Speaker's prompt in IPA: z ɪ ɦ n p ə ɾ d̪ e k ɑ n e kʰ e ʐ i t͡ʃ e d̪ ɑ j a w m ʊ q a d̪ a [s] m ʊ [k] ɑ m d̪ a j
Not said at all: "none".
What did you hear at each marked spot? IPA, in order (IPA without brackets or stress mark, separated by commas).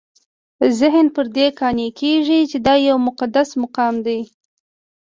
s, q